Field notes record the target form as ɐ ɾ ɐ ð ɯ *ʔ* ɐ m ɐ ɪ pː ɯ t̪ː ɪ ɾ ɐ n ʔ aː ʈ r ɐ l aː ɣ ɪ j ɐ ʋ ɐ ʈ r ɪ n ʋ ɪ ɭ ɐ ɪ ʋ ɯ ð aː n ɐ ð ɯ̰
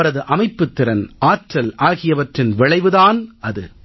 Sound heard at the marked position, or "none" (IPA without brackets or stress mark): ʔ